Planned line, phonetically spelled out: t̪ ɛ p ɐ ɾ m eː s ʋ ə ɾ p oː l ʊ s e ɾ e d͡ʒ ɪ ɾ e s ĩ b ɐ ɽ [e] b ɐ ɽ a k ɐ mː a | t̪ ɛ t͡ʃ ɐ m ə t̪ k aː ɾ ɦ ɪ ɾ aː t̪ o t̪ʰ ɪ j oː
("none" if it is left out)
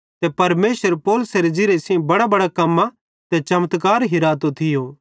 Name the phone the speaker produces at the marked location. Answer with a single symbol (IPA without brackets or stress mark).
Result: a